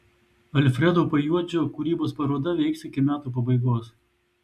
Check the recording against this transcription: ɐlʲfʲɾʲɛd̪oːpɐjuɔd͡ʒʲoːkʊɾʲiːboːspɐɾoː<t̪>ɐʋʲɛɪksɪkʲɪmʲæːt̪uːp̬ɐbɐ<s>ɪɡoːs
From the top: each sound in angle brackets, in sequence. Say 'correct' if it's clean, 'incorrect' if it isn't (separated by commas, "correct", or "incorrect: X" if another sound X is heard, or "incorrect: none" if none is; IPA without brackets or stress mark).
incorrect: d̪, incorrect: none